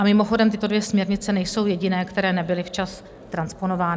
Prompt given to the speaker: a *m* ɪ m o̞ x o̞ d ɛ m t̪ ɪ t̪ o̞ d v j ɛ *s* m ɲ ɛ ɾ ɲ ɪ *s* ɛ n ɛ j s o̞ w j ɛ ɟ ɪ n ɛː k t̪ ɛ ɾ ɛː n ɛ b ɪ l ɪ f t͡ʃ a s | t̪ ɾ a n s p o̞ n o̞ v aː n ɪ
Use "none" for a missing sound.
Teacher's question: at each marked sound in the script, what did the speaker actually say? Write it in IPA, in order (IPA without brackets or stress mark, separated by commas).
m, s, t͡s